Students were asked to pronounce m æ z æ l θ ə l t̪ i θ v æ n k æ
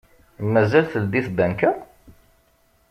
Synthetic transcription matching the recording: m æ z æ l θ ə l d̪ i θ b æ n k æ